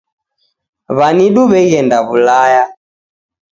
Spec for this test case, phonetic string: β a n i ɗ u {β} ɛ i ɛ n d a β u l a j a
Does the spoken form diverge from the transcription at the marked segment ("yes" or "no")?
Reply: no